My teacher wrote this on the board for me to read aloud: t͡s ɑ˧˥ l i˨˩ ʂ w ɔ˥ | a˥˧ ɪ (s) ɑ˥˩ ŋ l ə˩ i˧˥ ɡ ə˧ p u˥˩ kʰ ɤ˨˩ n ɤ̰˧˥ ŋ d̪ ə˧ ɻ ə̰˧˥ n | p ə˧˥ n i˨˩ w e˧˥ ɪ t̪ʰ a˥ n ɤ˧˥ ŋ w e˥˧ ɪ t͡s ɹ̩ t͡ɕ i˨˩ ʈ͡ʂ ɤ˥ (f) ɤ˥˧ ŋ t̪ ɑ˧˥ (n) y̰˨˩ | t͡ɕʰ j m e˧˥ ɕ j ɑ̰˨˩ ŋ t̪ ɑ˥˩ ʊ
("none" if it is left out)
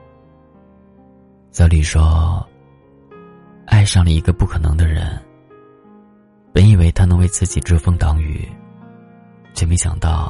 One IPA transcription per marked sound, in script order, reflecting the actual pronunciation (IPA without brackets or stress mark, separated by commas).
ʂ, f, ŋ